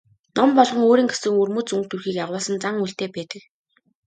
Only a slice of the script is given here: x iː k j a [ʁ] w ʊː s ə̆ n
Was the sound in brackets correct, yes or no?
yes